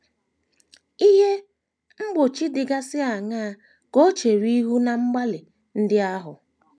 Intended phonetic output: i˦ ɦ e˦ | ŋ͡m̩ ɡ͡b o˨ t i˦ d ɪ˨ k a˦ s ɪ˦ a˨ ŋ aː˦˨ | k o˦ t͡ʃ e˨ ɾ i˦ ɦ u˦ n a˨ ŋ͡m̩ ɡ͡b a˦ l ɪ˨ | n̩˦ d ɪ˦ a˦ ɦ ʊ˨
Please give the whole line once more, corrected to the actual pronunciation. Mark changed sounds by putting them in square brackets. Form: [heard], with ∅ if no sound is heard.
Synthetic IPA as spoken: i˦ ɦ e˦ | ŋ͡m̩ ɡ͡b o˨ [t͡ʃ] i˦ d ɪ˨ [ɡ] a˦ s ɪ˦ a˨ ŋ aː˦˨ | k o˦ t͡ʃ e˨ ɾ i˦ ɦ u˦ n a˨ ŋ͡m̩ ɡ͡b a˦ l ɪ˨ | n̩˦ d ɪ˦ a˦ ɦ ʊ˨